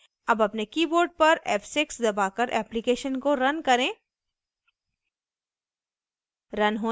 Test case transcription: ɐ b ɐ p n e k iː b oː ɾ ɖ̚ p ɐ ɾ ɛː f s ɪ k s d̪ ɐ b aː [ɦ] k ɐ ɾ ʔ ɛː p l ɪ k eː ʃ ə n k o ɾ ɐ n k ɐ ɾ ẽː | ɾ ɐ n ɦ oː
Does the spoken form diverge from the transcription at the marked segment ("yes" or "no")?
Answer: yes